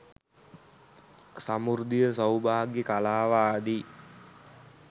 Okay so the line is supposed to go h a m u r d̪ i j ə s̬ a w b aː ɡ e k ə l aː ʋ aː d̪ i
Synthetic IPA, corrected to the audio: s a m u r d̪ i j ə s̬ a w b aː ɡ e k a l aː ʋ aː d̪ i